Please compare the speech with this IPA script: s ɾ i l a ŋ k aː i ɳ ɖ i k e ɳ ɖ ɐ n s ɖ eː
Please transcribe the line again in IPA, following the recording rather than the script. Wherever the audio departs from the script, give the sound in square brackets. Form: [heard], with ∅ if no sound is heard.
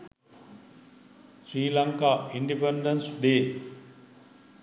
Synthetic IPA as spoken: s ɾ [iː] l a ŋ k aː i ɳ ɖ i [p] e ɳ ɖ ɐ n s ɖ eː